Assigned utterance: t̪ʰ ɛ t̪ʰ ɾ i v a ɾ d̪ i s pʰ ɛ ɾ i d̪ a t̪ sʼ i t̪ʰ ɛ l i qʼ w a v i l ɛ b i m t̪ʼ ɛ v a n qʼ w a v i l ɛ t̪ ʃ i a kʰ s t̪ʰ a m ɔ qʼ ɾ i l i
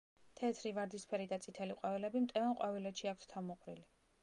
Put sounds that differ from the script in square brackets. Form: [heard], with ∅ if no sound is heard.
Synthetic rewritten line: t̪ʰ ɛ t̪ʰ ɾ i v a ɾ d̪ i s pʰ ɛ ɾ i d̪ a t̪ sʼ i t̪ʰ ɛ l i qʼ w a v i l ɛ b i m t̪ʼ ɛ v a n qʼ w a v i l ɛ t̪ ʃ i a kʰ s t̪ʰ a m ɔ qʼ ɾ i l i